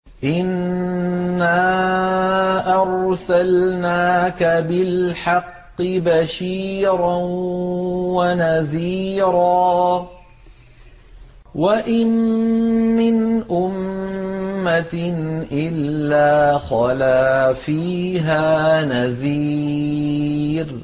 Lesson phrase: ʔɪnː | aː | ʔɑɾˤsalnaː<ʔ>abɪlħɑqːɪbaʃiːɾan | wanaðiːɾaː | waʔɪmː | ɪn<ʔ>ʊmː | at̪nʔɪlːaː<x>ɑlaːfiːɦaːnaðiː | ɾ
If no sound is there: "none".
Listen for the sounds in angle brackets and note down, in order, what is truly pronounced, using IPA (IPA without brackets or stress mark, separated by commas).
k, ʔ, x